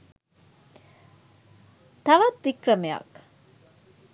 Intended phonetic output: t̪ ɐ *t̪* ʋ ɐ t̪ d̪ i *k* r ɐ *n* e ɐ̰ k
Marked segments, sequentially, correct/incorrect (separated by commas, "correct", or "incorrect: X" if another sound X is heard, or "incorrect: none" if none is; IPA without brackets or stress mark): incorrect: none, correct, incorrect: m